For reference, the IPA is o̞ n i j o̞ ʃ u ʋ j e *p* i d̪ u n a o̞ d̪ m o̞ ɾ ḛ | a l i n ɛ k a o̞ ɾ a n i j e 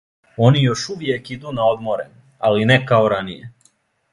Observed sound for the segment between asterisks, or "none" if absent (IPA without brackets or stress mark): k